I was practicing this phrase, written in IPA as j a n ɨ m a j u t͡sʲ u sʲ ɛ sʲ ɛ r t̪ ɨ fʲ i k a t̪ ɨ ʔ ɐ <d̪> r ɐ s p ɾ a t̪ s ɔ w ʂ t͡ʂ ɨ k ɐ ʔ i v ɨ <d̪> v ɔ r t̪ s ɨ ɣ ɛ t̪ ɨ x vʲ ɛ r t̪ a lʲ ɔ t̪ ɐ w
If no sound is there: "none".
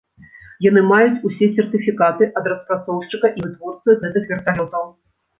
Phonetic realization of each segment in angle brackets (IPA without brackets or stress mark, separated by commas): d̪, t̪